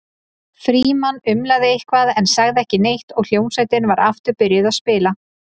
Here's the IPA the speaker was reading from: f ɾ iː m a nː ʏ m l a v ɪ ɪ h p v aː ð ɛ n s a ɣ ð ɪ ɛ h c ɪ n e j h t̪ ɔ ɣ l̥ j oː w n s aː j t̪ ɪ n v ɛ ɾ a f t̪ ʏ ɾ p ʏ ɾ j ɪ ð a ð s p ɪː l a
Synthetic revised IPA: f ɾ iː m a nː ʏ m l a ð ɪ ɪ h k v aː ð ɛ n s a ɣ ð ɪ ɛ h c ɪ n e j h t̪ ɔ ɣ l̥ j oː w n s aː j t̪ ɪ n v a ɾ a f t̪ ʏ ɾ p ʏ ɾ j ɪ ð a ð s p ɪː l a